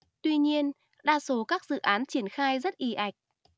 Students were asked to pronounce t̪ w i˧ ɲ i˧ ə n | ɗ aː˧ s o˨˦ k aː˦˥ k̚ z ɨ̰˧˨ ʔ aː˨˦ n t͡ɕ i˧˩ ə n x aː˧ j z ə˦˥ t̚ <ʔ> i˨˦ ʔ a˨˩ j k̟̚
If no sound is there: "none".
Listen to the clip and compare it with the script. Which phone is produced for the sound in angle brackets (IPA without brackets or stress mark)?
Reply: ʔ